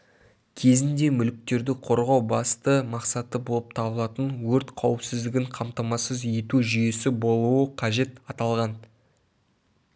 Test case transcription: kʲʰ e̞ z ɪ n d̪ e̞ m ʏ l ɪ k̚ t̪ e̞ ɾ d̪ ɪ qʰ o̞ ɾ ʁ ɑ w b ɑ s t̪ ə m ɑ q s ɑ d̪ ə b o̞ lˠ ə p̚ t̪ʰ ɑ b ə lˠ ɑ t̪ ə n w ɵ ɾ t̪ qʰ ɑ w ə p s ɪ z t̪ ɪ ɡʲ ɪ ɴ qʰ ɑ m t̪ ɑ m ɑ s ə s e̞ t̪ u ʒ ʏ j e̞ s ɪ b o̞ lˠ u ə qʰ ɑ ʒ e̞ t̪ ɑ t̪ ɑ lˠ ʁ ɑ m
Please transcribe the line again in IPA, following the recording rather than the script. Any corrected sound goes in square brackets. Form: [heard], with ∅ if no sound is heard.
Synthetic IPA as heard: kʲʰ e̞ z ɪ n d̪ e̞ m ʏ l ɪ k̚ t̪ e̞ ɾ d̪ ɪ qʰ o̞ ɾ ʁ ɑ w b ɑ s t̪ ə m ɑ q s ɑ [t̪] ə b o̞ lˠ ə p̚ t̪ʰ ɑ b ə lˠ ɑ t̪ ə n w ɵ ɾ t̪ qʰ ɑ w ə p s ɪ z [d̪] ɪ ɡʲ ɪ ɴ qʰ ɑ m t̪ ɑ m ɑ s ə [z] e̞ t̪ u ʒ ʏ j e̞ s ɪ b o̞ lˠ u ə qʰ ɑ ʒ e̞ t̪ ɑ t̪ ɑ lˠ ʁ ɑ [n]

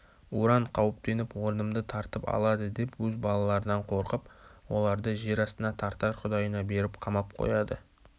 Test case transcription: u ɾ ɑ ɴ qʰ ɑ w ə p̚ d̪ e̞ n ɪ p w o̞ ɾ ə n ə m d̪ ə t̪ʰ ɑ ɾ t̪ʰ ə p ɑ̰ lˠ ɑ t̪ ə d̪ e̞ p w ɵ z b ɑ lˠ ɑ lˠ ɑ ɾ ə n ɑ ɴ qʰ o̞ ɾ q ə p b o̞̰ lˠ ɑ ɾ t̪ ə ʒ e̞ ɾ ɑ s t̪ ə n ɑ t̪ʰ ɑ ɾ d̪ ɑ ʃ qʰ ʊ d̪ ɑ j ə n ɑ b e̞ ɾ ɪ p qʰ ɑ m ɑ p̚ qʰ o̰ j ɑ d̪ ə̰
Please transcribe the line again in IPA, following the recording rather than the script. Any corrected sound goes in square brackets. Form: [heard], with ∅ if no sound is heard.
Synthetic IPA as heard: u ɾ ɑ ɴ qʰ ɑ w ə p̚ [t̪] e̞ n ɪ p w o̞ ɾ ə n ə m d̪ ə t̪ʰ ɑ ɾ [t̪] ə p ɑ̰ lˠ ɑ [d̪] ə d̪ e̞ p w ɵ z b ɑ lˠ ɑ lˠ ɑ ɾ ə n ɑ ɴ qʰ o̞ ɾ q ə p [w] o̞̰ lˠ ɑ ɾ [d̪] ə ʒ e̞ ɾ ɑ s t̪ ə n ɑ t̪ʰ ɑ ɾ [t̪] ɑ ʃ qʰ ʊ d̪ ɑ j ə n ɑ b e̞ ɾ ɪ p qʰ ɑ m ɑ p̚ qʰ o̰ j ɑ d̪ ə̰

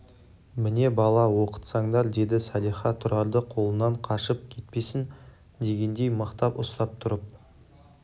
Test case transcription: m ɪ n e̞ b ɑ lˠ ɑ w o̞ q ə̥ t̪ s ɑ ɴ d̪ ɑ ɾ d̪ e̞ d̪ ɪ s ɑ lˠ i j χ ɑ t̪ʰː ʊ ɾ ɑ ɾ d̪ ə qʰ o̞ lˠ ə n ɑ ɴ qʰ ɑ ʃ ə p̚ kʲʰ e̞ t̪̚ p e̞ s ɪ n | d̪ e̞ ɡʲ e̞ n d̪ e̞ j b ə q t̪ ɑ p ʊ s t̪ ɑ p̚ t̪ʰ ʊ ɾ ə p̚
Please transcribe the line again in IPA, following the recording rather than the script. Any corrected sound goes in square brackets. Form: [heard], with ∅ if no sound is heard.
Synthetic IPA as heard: m ɪ n e̞ b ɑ lˠ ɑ w o̞ q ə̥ t̪ s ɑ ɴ d̪ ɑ ɾ d̪ e̞ d̪ ɪ s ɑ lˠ i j χ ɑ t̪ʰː ʊ ɾ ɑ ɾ d̪ ə qʰ o̞ lˠ ə n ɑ ɴ qʰ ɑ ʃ ə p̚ kʲʰ e̞ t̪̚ p e̞ s ɪ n | d̪ e̞ ɡʲ e̞ n d̪ e̞ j [m] ə q t̪ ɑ p ʊ s t̪ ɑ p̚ t̪ʰ ʊ ɾ ə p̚

